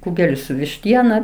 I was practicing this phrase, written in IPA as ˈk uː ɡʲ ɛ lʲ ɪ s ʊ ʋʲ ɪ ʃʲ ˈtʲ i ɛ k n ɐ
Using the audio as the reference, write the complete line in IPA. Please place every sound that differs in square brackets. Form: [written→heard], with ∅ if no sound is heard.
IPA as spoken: ˈk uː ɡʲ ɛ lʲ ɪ s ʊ ʋʲ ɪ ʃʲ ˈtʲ i ɛ [k→∅] n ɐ